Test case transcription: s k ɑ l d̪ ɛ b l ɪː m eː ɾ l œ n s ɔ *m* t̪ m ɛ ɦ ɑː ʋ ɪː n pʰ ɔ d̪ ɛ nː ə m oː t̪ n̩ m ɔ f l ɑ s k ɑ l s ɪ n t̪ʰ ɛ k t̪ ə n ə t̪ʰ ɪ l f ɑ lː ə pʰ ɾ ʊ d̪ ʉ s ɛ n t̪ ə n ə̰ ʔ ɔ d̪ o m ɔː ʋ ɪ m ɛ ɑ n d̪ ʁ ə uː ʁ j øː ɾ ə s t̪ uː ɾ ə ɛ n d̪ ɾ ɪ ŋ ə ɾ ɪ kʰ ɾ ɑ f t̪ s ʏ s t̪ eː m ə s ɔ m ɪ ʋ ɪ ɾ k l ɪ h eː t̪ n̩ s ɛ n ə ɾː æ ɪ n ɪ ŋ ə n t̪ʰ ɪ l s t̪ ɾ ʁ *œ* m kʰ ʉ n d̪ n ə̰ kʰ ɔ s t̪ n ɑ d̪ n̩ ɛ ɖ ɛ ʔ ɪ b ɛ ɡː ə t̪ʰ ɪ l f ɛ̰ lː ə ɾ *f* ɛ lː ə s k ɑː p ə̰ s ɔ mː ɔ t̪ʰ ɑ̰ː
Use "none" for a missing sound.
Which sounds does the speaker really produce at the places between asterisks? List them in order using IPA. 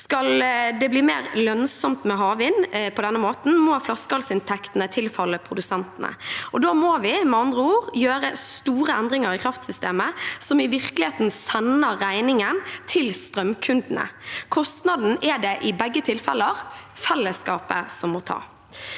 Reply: m, œ, f

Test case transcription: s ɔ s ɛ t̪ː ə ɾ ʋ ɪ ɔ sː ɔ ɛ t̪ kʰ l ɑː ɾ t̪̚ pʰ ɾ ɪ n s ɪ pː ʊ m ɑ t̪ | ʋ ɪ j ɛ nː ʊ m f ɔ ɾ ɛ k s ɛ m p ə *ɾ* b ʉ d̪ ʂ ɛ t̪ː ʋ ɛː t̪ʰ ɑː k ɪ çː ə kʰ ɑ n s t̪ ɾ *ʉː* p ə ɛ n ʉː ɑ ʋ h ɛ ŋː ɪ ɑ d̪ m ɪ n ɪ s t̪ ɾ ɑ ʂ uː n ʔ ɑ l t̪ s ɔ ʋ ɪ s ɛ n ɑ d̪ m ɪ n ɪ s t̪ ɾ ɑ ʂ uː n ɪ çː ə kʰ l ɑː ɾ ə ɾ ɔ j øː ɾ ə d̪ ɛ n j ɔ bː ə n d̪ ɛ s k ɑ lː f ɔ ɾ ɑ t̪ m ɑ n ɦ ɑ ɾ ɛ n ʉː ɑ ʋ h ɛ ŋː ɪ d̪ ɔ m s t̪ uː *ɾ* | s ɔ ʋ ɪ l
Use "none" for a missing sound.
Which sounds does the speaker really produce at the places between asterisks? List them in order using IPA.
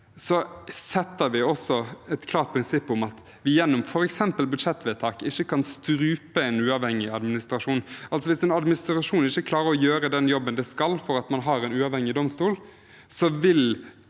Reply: l, ʉː, l

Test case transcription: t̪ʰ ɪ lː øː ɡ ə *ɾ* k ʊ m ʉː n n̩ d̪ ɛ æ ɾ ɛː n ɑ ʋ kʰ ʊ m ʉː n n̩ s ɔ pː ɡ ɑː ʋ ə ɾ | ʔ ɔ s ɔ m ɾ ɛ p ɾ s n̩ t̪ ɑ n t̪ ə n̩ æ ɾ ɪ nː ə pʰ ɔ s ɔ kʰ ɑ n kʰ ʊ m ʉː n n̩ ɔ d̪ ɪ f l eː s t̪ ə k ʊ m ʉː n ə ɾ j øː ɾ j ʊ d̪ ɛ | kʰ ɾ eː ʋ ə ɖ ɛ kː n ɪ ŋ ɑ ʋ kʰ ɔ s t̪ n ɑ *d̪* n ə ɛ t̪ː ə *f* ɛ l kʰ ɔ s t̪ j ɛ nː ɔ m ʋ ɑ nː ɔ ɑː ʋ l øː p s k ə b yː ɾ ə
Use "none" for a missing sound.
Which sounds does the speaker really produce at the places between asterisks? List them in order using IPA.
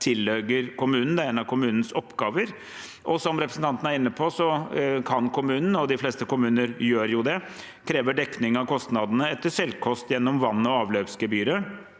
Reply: ɾ, d̪, ʂ

